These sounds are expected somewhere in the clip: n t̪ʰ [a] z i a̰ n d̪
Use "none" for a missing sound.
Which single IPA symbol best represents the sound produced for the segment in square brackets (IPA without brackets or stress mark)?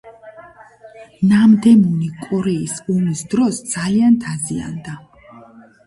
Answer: a